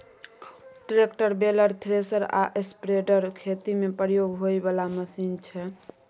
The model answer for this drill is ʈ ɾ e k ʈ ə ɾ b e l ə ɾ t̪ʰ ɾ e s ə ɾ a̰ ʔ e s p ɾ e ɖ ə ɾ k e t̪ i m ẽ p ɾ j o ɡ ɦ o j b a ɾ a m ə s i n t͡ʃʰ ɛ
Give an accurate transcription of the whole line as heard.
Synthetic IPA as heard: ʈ ɾ e k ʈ ə ɾ b e l ə ɾ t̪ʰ ɾ e s ə ɾ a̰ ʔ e s p ɾ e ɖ ə ɾ kʰ e t̪ i m e p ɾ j o ɡ ɦ o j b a l a m ə s i n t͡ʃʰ ɛ